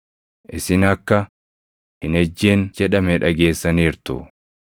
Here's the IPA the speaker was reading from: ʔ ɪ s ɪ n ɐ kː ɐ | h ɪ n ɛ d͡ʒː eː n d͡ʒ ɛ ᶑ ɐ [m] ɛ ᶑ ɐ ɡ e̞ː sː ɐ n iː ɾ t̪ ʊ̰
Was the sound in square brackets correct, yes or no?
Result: yes